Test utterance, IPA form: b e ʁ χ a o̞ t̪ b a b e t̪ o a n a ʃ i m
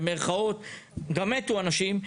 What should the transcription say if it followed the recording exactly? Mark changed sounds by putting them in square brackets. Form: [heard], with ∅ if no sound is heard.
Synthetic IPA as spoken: [m] e ʁ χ a o̞ t̪ [ɡ] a [m] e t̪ [u] a n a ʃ i m